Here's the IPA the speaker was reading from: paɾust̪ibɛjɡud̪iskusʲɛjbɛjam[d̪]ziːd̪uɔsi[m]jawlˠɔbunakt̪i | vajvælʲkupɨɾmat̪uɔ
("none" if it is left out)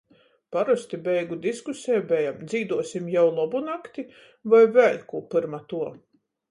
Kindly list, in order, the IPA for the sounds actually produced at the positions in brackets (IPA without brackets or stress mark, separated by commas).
d̪, m